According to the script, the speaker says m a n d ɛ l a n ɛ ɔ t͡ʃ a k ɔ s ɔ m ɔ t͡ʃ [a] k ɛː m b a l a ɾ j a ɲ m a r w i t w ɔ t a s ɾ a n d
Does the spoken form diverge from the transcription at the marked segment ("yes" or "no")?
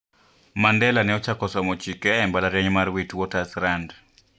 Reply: yes